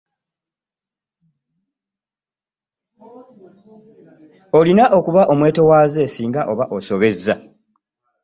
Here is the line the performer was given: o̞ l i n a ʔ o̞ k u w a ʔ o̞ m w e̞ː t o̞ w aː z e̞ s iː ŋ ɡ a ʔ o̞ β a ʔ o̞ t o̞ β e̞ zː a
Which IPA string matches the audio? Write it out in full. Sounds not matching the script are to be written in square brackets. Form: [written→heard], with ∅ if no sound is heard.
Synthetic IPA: o̞ l i n a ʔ o̞ k u [w→β] a ʔ o̞ m w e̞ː t o̞ w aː z e̞ s iː ŋ ɡ a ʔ o̞ β a ʔ o̞ [t→s] o̞ β e̞ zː a